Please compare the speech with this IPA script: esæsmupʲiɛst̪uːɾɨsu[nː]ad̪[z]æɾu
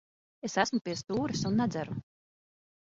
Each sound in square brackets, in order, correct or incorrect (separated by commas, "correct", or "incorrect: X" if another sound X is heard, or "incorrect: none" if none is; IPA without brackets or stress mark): correct, correct